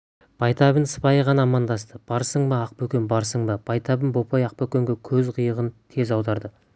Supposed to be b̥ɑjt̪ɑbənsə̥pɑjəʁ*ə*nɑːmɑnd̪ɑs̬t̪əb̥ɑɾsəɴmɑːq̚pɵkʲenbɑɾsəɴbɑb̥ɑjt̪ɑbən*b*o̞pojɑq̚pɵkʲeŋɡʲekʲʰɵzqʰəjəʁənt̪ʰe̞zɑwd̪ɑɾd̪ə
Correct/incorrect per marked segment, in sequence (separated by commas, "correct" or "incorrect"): incorrect, correct